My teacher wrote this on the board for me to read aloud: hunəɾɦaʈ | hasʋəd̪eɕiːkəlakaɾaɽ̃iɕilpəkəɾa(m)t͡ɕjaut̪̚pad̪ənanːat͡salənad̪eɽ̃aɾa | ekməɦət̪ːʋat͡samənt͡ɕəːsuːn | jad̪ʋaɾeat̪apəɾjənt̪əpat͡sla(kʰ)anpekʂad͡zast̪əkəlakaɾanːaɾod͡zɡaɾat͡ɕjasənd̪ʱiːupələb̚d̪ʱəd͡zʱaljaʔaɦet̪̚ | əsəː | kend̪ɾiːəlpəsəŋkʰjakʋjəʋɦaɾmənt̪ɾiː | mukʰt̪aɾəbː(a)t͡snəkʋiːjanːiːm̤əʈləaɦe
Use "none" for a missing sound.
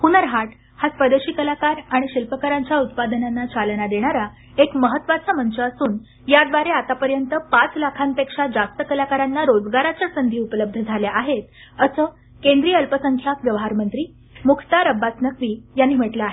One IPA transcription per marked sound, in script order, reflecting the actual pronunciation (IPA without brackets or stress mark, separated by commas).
ɲ, kʰ, a